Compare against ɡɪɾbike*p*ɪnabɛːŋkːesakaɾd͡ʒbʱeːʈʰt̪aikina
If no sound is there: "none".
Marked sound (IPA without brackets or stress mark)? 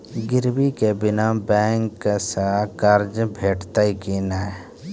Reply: b